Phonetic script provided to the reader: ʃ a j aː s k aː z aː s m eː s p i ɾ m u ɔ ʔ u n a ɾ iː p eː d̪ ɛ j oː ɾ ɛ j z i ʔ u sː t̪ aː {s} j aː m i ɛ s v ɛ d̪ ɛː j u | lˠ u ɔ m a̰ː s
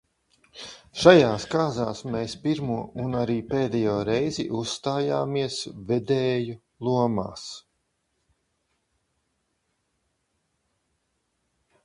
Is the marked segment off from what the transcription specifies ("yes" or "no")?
yes